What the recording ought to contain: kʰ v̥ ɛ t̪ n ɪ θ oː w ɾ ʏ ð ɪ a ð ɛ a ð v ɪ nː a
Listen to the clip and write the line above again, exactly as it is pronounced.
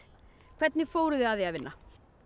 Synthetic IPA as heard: kʰ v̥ ɛ t̪ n ɪ f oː w ɾ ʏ ð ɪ a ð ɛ a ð v ɪ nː a